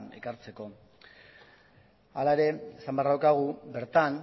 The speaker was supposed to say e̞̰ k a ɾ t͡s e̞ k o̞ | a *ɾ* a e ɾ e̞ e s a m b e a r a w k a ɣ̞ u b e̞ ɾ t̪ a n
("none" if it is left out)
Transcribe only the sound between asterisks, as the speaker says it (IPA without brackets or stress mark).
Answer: l